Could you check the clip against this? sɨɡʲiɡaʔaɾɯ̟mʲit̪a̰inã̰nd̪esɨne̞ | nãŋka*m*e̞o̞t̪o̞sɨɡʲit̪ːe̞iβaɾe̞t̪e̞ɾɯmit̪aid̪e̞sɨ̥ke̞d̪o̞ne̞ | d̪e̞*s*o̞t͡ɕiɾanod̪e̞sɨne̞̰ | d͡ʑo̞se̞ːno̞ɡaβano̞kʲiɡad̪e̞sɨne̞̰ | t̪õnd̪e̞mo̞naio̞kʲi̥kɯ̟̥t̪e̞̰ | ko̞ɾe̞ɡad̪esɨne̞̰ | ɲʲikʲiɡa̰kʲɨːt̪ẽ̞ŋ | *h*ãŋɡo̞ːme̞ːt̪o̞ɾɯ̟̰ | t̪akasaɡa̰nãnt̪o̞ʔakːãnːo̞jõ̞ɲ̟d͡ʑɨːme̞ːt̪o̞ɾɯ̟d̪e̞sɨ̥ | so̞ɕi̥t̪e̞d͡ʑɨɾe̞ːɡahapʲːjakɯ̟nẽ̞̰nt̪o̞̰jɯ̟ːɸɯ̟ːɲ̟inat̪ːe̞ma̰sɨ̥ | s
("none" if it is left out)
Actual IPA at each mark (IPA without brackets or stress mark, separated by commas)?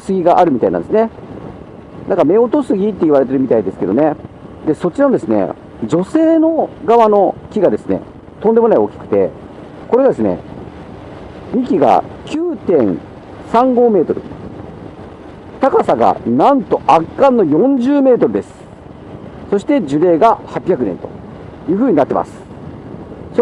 m, s, s